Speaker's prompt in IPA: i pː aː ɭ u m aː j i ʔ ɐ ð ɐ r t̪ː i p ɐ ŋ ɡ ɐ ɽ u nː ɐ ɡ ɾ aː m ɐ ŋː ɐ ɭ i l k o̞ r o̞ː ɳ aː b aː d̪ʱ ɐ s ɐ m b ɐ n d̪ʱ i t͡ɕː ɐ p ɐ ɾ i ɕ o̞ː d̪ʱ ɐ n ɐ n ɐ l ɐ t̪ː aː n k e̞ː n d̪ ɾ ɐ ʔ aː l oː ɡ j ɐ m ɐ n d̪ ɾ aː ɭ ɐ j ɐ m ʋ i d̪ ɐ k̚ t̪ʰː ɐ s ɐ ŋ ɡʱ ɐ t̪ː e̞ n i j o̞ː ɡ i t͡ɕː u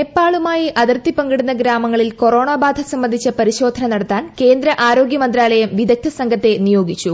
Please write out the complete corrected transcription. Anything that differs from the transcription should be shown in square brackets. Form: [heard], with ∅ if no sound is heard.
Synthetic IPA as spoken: [e] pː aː ɭ u m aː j i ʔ ɐ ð ɐ r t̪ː i p ɐ ŋ ɡ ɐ ɽ u nː ɐ ɡ ɾ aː m ɐ ŋː ɐ ɭ i l k o̞ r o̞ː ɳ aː b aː d̪ʱ ɐ s ɐ m b ɐ n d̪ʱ i t͡ɕː ɐ p ɐ ɾ i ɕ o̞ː d̪ʱ ɐ n ɐ n ɐ [ɽ] ɐ t̪ː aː n k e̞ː n d̪ ɾ ɐ ʔ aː [ɾ] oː ɡ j ɐ m ɐ n d̪ ɾ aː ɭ ɐ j ɐ m ʋ i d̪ ɐ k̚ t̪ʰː ɐ s ɐ ŋ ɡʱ ɐ t̪ː e̞ n i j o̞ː ɡ i t͡ɕː u